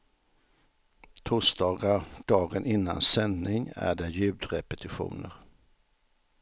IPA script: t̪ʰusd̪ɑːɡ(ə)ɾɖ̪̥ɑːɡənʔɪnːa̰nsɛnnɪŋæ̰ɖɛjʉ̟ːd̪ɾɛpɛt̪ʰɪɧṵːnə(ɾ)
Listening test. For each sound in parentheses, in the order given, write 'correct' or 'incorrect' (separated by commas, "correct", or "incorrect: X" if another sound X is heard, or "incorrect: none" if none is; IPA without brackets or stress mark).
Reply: incorrect: a, correct